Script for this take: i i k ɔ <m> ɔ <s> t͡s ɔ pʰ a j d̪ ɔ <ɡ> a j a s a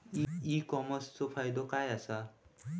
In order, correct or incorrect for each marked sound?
correct, correct, incorrect: k

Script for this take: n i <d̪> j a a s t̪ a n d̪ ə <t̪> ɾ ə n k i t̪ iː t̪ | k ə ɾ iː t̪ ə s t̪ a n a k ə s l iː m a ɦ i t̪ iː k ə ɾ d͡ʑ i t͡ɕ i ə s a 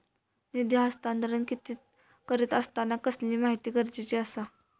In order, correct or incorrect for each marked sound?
correct, incorrect: none

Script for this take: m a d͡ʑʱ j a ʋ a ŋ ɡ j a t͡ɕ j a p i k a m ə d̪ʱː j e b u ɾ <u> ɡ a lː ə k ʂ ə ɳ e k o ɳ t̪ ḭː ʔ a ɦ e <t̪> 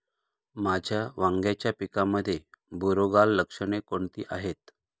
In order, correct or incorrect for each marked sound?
incorrect: o, correct

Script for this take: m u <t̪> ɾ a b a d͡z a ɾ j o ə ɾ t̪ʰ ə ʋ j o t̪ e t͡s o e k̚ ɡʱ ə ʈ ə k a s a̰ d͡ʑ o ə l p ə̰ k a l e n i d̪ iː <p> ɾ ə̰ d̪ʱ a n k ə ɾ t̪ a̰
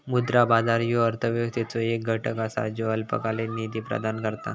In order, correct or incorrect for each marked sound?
incorrect: d̪, correct

